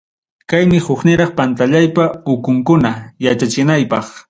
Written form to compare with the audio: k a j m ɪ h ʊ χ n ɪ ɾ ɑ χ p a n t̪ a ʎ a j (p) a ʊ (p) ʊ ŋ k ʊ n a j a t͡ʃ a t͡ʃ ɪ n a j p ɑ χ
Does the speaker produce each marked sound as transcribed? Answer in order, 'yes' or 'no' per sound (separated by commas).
yes, no